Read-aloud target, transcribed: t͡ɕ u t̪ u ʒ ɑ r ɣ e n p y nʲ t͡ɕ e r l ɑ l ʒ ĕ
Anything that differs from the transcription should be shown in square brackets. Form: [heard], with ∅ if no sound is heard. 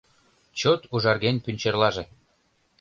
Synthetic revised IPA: t͡ɕ [o] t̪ u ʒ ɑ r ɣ e n p y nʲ t͡ɕ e r l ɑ [∅] ʒ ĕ